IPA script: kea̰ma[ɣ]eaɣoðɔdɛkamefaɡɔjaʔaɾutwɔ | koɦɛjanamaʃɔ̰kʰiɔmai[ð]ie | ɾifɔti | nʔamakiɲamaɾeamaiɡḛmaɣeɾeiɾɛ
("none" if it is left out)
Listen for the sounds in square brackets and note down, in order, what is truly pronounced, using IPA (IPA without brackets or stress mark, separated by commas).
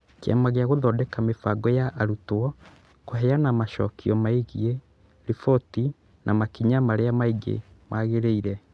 ɣ, ɣ